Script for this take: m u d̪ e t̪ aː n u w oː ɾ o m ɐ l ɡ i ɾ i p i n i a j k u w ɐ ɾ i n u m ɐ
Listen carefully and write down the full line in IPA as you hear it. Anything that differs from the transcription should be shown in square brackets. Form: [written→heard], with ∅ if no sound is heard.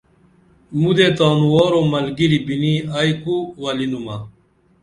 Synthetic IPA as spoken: m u d̪ e t̪ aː n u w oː ɾ o m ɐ l ɡ i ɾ i [p→b] i n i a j k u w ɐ [ɾ→l] i n u m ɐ